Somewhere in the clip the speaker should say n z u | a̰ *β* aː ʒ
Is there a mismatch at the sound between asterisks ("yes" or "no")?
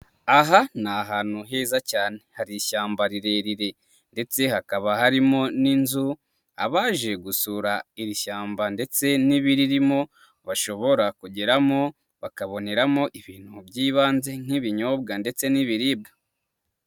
no